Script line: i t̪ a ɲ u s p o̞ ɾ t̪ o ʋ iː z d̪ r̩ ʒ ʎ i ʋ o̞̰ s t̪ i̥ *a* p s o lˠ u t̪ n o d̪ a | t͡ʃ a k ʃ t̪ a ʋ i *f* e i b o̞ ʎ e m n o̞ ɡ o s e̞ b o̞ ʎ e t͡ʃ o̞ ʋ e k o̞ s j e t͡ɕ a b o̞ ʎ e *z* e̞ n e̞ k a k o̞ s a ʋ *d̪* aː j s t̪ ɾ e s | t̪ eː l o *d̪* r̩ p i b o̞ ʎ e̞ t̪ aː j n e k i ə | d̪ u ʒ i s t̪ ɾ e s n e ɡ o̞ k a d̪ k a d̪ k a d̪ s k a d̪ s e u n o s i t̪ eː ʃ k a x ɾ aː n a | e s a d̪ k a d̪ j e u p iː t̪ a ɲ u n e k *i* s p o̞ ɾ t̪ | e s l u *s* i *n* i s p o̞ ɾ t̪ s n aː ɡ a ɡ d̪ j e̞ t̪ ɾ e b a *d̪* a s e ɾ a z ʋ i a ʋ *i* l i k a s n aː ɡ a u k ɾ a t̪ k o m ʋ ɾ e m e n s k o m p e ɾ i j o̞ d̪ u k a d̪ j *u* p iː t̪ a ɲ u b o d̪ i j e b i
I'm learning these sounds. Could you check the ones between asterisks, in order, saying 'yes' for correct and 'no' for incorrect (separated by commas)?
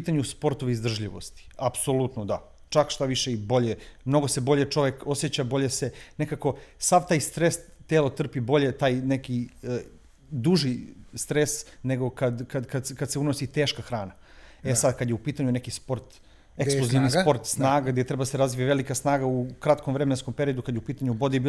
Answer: yes, no, no, no, no, yes, no, yes, yes, no, yes